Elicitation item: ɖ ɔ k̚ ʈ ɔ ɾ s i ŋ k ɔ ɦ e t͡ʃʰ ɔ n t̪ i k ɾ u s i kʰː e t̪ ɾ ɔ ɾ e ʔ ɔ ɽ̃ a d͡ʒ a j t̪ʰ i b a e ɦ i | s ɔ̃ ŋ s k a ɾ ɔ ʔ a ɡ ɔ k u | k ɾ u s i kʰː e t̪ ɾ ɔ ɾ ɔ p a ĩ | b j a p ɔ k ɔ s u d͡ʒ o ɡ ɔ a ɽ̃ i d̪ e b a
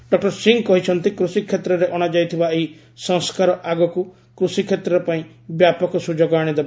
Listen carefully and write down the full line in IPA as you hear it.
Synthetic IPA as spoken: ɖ ɔ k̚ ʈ ɔ ɾ s i ŋ k ɔ ɦ i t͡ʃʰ ɔ n t̪ i k ɾ u s i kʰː e t̪ ɾ ɔ ɾ e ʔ ɔ ɽ̃ a d͡ʒ a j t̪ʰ i b a e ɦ i | s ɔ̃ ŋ s k a ɾ ɔ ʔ a ɡ ɔ k u | k ɾ u s i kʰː e t̪ ɾ ɔ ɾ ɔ p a ĩ | b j a p ɔ k ɔ s u d͡ʒ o ɡ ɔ a ɽ̃ i d̪ e b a

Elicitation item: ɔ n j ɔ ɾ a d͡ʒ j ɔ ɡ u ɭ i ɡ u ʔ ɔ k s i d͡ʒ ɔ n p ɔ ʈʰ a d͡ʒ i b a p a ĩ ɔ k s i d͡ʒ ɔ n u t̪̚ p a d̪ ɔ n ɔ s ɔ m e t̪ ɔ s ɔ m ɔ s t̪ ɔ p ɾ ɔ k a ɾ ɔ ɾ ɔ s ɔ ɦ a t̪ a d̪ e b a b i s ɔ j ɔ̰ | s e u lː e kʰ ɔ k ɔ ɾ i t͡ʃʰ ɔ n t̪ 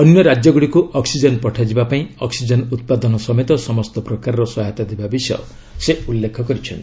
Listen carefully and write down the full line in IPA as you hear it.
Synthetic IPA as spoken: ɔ n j ɔ ɾ a d͡ʒ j ɔ ɡ u ɽ i k u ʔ ɔ k s i d͡ʒ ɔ n p ɔ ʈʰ a d͡ʒ i b a p a ĩ ɔ k s i d͡ʒ ɔ n u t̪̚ p a d̪ ɔ n ɔ s ɔ m e t̪ ɔ s ɔ m ɔ s t̪ ɔ p ɾ ɔ k a ɾ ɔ ɾ ɔ s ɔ ɦ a t̪ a d̪ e b a b i s ɔ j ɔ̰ | s e u lː e kʰ ɔ k ɔ ɾ i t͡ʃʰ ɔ n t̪

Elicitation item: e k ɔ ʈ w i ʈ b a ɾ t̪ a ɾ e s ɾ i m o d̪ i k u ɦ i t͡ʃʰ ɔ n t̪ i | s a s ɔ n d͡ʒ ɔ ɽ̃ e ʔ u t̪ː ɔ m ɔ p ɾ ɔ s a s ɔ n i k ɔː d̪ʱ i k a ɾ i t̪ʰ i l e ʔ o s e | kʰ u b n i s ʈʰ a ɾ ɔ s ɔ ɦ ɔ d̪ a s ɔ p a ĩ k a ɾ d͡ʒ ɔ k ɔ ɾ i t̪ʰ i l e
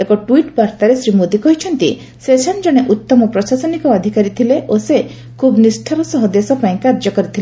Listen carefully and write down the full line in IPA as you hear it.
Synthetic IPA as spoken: e k ɔ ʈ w i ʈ b a ɾ t̪ a ɾ e s ɾ i m o d̪ i k ɔ ɦ i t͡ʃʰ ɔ n t̪ i | s e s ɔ n d͡ʒ ɔ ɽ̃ e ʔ u t̪ː ɔ m ɔ p ɾ ɔ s a s ɔ n i k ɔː d̪ʱ i k a ɾ i t̪ʰ i l e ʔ o s e | kʰ u b n i s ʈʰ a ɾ ɔ s ɔ ɦ ɔ d̪ e s ɔ p a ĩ k a ɾ d͡ʒ ɔ k ɔ ɾ i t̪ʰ i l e

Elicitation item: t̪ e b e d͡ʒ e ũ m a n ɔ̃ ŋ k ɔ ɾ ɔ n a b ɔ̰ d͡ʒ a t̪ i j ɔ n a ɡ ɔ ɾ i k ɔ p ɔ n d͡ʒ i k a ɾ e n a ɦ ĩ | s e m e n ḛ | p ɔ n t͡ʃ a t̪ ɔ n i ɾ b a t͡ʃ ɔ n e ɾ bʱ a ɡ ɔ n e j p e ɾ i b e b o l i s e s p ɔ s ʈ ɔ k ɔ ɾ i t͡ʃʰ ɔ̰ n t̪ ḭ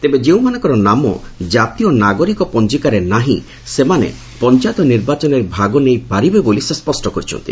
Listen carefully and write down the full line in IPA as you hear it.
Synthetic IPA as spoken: t̪ e b e d͡ʒ e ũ m a n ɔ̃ ŋ k ɔ ɾ ɔ n a m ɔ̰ d͡ʒ a t̪ i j ɔ n a ɡ ɔ ɾ i k ɔ p ɔ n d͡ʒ i k a ɾ e n a ɦ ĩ | s e m a n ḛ | p ɔ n t͡ʃ a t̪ ɔ n i ɾ b a t͡ʃ ɔ n e ɾ bʱ a ɡ ɔ n e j p a ɾ i b e b o l i s e s p ɔ s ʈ ɔ k ɔ ɾ i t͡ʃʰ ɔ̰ n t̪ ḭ

